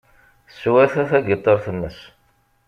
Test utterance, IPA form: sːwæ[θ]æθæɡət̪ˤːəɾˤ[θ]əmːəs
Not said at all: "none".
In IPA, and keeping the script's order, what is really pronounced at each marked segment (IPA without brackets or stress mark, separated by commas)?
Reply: θ, θ